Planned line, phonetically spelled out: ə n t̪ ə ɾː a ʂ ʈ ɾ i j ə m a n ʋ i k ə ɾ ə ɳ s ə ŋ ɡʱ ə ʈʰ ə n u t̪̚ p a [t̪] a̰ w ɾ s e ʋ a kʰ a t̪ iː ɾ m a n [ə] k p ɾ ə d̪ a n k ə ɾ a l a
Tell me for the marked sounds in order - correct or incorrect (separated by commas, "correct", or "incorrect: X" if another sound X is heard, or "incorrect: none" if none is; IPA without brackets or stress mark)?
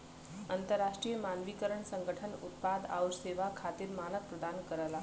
incorrect: d̪, correct